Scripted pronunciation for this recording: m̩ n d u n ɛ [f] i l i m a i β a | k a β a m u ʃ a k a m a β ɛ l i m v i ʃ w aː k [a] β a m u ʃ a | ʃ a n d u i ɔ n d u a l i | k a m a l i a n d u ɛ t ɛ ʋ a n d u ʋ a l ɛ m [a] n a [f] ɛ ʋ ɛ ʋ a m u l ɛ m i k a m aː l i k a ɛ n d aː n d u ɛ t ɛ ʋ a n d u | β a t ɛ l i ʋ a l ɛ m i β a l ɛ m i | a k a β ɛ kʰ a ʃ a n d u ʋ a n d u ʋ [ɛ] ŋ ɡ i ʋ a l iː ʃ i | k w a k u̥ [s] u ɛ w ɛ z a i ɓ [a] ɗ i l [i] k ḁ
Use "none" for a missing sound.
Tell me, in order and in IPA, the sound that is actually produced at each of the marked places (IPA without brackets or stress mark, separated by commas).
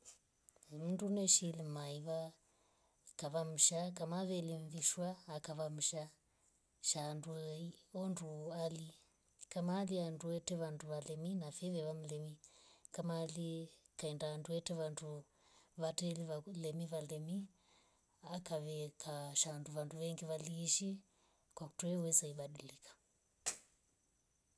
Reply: ʃ, a, i, f, ɛ, t, a, i